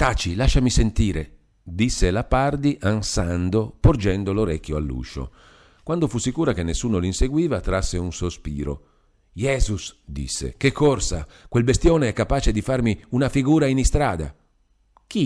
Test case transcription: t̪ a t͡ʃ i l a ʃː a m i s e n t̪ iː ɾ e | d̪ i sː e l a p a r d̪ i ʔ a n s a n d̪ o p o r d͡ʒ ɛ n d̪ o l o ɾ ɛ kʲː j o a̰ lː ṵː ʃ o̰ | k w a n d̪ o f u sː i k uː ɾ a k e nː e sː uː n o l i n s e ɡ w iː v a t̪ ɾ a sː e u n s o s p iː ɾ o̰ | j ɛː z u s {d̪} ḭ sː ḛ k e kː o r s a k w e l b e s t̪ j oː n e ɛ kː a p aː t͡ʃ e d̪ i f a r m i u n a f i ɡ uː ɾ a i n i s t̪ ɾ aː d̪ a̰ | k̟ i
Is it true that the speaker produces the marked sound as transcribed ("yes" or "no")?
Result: yes